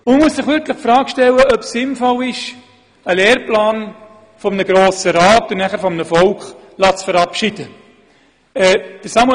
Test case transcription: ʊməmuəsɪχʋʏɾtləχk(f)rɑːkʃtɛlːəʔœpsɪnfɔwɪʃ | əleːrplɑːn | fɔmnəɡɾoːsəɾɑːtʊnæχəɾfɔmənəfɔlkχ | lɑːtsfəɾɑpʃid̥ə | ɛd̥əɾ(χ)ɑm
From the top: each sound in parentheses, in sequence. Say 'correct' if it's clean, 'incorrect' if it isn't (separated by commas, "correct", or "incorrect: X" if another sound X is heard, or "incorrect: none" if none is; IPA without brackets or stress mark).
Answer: correct, incorrect: s